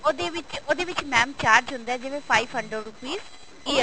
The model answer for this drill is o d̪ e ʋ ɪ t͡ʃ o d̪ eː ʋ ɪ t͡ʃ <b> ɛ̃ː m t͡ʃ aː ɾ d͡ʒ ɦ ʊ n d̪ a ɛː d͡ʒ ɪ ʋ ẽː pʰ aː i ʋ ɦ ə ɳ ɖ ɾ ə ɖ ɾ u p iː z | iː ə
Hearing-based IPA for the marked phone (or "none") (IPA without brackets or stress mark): m